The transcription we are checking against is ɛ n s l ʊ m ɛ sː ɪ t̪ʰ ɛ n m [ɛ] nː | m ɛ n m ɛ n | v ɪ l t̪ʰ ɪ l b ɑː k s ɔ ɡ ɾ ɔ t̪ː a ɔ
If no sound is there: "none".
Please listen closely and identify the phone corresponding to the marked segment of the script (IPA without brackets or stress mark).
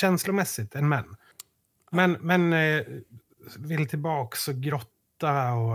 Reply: ɛ